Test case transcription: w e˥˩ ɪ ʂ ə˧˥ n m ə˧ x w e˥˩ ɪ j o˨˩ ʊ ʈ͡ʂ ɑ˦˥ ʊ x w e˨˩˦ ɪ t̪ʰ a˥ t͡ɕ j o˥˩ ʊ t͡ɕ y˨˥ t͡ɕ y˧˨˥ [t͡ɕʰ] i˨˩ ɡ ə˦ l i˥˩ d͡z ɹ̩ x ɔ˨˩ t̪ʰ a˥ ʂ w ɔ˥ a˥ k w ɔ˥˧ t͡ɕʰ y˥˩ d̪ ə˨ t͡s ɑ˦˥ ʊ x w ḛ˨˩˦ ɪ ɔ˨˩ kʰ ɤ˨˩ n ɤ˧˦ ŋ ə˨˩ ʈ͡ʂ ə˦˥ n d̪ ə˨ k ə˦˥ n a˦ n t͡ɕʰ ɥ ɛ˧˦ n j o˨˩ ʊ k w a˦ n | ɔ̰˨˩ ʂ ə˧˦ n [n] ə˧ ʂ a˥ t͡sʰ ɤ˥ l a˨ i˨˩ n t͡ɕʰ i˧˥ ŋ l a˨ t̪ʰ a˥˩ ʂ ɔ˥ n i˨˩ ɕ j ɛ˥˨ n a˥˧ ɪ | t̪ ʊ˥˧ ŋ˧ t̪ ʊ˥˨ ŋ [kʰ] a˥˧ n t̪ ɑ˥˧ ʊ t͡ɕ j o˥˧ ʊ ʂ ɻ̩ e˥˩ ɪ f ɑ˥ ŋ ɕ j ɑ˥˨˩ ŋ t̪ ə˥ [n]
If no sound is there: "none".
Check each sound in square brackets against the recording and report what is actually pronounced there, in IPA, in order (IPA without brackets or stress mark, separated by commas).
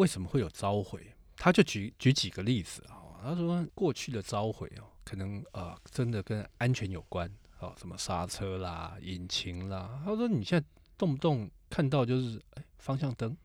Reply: t͡ɕ, m, kʰ, ŋ